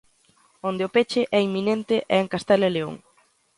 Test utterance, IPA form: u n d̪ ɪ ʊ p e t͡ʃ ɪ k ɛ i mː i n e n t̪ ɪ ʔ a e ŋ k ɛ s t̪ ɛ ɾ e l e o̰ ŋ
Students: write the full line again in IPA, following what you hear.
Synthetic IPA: o n d̪ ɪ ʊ p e t͡ʃ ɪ ʔ ɛ i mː i n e n t̪ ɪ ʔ ɛ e ŋ k a s t̪ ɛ l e l e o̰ ŋ